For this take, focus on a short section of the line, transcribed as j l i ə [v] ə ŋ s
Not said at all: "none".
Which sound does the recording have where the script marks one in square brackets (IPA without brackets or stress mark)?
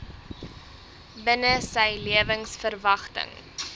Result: v